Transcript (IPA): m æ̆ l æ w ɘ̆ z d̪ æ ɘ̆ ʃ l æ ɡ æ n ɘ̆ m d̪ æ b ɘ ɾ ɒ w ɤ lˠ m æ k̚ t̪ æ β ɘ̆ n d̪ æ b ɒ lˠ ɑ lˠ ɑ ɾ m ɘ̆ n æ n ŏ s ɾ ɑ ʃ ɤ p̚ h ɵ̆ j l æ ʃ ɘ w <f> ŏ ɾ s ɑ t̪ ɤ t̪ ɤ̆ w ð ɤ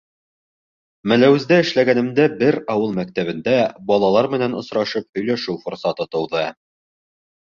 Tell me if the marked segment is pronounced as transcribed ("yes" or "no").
yes